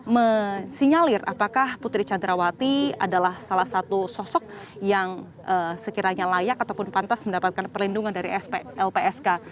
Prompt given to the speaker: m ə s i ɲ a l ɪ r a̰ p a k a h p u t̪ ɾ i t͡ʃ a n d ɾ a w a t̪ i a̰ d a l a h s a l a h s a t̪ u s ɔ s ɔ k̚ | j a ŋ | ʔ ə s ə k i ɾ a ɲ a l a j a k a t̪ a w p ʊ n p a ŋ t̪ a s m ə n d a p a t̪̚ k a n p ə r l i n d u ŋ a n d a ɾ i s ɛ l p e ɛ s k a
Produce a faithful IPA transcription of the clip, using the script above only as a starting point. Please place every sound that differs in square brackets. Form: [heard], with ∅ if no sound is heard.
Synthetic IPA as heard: m ə s i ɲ a l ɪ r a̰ p a k a h p u t̪ ɾ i t͡ʃ a n d ɾ a w a t̪ i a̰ d a l a h s a l a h s a t̪ u s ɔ s ɔ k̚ | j a ŋ | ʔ ə s ə k i ɾ a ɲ a l a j a k a t̪ a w p ʊ n p a [n] t̪ a s m ə n d a p a t̪̚ k a n p ə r l i n d u ŋ a n d a ɾ i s ɛ l p e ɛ s k a